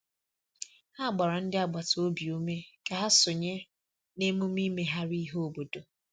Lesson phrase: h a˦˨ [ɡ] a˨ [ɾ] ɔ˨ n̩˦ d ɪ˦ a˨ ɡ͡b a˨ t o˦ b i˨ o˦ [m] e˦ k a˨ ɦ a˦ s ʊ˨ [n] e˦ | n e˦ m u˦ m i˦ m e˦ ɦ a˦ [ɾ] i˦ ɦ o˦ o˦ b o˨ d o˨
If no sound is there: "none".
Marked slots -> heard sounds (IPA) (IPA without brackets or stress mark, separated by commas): ɡ͡b, ɾ, m, ɲ, ɾ